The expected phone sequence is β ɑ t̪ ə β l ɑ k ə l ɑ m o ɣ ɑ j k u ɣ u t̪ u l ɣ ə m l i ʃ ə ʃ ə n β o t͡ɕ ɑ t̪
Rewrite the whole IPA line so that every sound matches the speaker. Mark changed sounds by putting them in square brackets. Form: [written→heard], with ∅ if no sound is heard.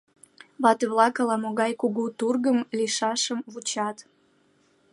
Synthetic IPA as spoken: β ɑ t̪ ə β l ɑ k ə l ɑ m o ɣ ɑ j k u ɣ u t̪ u [l→r] ɣ ə m l i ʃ [ə→ɑ] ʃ ə [n→m] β [o→u] t͡ɕ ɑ t̪